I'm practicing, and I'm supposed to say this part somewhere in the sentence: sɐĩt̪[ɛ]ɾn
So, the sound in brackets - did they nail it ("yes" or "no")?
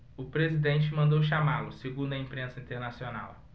no